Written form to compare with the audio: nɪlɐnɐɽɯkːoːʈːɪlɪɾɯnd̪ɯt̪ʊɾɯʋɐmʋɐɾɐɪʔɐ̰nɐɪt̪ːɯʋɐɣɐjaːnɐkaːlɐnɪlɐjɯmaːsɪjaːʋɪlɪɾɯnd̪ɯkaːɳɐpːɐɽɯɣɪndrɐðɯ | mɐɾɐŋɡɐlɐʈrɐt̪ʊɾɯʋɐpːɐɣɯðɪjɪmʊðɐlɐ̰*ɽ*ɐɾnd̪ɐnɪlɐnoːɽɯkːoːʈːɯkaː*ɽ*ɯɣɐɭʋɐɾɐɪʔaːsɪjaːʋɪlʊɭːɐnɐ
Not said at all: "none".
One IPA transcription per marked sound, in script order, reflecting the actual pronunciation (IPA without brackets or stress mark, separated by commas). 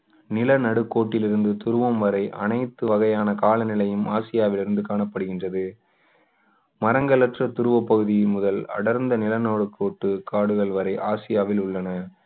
ɽ, ɽ